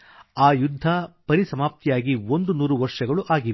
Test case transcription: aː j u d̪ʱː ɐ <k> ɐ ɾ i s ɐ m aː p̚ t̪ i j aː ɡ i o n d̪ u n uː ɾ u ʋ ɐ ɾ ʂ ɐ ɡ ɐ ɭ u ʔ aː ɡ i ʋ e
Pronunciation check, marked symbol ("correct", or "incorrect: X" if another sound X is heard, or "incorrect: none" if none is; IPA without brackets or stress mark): incorrect: p